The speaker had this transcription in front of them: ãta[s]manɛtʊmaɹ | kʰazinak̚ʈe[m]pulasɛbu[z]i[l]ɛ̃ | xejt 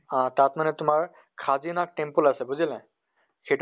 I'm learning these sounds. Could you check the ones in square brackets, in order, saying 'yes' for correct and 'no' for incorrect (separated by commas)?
no, yes, yes, yes